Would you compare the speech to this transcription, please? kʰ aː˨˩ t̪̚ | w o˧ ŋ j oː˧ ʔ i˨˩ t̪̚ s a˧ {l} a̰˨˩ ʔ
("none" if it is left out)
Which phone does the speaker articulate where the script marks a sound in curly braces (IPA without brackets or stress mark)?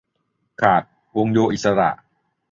ɾ